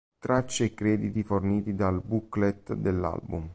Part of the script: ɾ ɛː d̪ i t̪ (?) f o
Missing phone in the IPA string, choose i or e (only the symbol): i